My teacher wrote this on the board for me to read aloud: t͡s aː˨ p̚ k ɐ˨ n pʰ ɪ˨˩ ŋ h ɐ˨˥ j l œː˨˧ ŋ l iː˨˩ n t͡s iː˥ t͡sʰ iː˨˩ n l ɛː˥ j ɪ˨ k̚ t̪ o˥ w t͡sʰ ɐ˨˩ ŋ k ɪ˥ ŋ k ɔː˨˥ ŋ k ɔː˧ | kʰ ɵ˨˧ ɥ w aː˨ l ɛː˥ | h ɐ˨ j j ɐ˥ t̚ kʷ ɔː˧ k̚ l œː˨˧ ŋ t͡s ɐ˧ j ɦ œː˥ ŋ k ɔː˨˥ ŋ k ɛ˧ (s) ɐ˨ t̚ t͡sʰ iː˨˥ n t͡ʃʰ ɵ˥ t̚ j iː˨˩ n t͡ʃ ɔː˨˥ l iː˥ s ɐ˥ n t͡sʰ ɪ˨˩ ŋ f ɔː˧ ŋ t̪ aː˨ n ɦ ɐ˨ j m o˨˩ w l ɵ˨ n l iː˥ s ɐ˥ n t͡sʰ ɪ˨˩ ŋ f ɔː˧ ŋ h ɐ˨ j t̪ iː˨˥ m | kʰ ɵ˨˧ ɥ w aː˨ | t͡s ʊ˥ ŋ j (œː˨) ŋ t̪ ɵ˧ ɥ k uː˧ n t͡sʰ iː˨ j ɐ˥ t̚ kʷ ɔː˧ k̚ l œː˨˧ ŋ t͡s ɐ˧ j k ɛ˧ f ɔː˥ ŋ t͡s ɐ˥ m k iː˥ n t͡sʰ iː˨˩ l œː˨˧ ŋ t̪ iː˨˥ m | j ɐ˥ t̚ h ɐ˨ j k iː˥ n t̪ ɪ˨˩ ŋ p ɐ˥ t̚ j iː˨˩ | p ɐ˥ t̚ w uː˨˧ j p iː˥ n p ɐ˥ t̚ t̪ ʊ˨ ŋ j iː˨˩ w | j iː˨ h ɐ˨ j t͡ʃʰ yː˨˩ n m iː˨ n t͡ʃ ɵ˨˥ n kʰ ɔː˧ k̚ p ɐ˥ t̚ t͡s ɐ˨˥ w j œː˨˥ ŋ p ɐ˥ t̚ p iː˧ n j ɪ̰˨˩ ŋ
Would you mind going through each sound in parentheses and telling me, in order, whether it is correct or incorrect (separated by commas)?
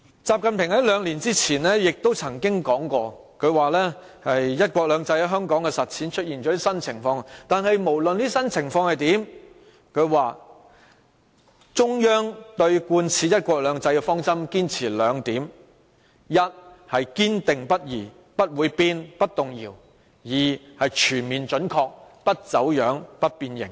correct, incorrect